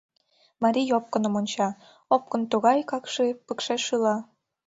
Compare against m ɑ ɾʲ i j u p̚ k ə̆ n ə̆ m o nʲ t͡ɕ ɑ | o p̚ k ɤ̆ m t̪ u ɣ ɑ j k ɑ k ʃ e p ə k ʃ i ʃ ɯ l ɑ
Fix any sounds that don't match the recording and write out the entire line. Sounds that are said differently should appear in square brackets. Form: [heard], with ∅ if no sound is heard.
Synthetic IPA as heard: m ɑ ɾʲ i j [o] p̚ k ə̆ n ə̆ m o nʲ t͡ɕ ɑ | o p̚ k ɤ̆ [n] t̪ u ɣ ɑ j k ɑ k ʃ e p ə k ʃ [e] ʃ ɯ l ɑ